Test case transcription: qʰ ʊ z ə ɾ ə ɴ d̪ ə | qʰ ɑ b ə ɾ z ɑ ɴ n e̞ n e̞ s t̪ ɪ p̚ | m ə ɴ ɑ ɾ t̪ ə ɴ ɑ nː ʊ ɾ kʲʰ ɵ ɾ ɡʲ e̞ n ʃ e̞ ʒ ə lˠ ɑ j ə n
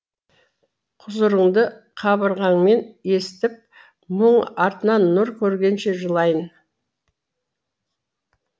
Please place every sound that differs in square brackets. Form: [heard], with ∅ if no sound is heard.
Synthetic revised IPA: qʰ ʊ z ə ɾ ə ɴ d̪ ə | qʰ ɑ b ə ɾ [ʁ] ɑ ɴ [m] e̞ n e̞ s t̪ ɪ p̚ | m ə ɴ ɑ ɾ t̪ ə [n] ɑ nː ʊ ɾ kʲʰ ɵ ɾ ɡʲ e̞ n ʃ e̞ ʒ ə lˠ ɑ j ə n